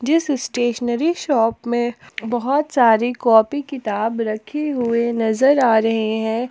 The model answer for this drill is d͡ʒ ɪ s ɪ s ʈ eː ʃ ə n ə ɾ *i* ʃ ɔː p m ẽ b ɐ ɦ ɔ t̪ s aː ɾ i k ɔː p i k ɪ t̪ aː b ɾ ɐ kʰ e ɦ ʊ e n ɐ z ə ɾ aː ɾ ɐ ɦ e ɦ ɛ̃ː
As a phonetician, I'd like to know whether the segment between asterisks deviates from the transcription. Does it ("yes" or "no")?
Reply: no